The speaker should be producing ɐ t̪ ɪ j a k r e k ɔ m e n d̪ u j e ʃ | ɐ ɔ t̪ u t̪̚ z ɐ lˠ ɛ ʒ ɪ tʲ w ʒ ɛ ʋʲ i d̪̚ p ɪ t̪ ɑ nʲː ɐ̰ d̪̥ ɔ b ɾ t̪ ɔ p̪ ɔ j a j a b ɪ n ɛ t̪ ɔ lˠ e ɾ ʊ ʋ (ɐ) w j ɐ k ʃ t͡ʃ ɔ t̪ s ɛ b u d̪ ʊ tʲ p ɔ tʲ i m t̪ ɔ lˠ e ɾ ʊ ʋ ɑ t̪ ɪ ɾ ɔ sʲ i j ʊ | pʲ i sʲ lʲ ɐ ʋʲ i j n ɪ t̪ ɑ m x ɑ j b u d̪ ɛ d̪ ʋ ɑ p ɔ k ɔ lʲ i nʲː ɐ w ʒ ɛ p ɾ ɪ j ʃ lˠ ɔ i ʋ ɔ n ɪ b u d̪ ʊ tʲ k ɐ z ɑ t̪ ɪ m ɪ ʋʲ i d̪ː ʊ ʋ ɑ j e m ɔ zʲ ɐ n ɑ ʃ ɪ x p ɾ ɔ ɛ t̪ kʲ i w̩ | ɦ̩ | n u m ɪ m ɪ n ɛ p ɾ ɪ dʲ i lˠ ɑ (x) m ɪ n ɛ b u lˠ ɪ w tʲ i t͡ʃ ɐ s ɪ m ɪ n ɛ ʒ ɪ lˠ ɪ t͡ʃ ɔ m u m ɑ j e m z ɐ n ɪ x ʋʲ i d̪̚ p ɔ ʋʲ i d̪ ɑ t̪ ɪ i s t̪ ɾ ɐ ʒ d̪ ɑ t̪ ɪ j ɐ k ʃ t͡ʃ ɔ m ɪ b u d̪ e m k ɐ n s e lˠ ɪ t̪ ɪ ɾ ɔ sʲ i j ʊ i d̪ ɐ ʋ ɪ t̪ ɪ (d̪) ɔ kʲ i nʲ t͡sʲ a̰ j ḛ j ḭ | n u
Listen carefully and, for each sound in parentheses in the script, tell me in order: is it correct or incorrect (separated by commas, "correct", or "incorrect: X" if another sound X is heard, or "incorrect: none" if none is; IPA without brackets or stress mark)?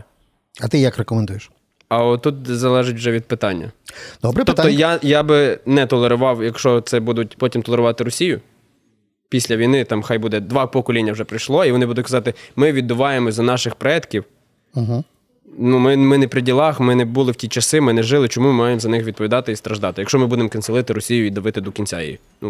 incorrect: ɑ, correct, correct